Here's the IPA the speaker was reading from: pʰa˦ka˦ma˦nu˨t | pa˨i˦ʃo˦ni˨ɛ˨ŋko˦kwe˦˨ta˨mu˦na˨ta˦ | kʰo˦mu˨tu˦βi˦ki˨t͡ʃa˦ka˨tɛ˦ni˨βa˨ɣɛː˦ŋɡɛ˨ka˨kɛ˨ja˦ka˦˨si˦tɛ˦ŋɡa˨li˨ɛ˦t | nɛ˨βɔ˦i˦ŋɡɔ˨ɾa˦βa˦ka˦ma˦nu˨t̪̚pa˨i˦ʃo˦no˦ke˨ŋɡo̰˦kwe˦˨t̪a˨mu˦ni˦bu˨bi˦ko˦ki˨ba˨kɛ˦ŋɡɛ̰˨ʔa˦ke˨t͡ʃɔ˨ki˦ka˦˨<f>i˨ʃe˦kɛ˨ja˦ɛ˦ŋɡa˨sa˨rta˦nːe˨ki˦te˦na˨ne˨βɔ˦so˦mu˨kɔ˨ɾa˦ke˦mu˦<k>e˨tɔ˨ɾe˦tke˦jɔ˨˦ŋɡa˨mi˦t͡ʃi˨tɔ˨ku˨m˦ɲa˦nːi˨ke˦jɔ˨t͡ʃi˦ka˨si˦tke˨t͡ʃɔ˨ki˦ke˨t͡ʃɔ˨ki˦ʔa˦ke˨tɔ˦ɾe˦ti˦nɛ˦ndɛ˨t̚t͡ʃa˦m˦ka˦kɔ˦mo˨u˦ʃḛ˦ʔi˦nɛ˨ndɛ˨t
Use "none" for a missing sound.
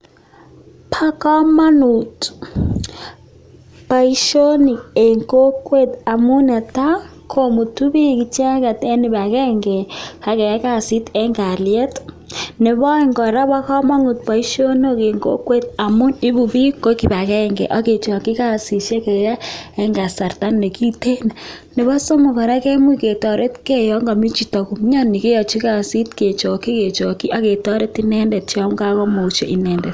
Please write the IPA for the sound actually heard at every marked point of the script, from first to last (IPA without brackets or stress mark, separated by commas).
s, k